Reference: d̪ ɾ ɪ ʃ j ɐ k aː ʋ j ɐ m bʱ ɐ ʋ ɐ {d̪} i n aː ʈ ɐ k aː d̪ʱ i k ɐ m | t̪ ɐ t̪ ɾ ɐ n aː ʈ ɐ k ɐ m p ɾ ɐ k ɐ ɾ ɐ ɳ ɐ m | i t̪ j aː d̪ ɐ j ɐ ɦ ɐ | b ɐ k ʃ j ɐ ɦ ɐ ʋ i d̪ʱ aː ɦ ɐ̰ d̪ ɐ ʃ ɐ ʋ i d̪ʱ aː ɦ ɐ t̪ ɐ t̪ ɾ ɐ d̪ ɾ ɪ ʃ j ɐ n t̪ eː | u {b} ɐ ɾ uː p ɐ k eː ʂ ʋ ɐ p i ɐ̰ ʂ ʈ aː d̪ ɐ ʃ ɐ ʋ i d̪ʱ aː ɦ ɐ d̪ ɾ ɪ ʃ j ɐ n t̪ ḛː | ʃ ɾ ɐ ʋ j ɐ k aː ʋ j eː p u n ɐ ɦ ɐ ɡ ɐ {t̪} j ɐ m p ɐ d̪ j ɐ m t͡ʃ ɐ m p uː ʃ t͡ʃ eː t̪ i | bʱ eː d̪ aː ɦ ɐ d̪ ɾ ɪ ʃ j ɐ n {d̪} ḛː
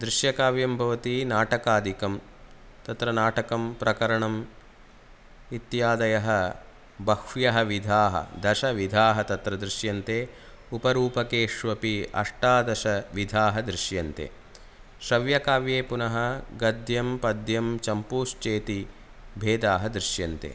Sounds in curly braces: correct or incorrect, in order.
incorrect, incorrect, incorrect, incorrect

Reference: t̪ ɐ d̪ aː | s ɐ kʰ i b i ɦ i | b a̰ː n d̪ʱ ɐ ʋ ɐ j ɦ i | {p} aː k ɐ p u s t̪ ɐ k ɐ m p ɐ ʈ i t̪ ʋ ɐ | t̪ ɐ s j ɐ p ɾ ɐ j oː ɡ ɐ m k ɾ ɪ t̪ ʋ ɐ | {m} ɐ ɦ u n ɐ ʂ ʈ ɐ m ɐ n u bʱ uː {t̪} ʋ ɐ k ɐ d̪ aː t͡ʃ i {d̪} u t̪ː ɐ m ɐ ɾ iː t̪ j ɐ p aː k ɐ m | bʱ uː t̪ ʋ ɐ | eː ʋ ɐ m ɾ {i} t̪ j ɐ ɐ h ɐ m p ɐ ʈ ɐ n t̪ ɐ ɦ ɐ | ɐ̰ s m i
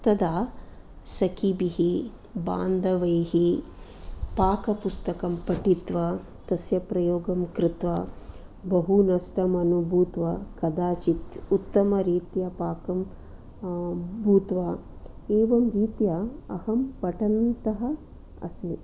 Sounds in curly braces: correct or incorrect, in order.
correct, incorrect, correct, incorrect, incorrect

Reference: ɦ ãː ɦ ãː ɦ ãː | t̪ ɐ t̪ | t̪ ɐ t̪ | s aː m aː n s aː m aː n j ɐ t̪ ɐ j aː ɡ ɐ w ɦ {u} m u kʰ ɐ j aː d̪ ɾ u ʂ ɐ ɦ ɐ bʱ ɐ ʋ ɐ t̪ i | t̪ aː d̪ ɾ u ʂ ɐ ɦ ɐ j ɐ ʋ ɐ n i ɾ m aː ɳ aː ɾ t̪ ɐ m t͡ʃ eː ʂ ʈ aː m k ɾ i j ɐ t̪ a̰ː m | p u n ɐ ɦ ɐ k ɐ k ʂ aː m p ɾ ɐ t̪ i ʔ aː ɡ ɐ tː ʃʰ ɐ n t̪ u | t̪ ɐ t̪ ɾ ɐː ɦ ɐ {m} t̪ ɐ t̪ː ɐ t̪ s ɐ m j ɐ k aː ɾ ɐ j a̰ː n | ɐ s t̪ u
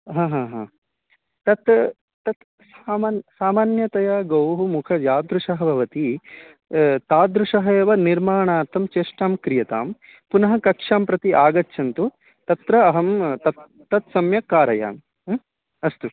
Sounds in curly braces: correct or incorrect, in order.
correct, correct

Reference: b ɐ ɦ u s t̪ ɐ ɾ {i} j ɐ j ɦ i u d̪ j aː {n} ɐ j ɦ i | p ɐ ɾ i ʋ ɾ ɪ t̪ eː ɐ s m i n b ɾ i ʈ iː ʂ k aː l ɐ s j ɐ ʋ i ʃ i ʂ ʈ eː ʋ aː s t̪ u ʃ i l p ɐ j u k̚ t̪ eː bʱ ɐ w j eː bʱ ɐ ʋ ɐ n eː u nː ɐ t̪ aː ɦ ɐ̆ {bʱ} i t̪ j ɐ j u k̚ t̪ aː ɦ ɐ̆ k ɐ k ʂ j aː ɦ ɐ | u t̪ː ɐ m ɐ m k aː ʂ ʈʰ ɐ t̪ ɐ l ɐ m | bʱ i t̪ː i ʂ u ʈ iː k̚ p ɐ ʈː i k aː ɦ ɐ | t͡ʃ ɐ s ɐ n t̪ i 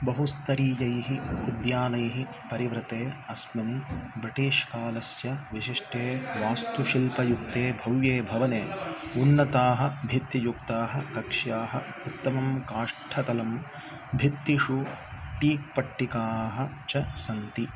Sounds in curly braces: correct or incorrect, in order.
incorrect, correct, correct

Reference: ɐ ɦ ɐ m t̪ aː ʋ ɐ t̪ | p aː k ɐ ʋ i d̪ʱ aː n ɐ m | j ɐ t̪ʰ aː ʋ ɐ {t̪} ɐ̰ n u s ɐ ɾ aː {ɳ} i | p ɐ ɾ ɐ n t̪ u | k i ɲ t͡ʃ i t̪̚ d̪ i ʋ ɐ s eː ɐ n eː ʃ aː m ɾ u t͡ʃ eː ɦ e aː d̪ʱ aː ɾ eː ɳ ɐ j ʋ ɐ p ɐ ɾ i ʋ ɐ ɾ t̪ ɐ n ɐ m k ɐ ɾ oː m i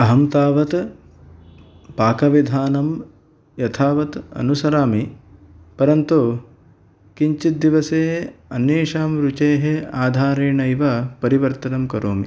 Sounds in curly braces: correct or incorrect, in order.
correct, incorrect

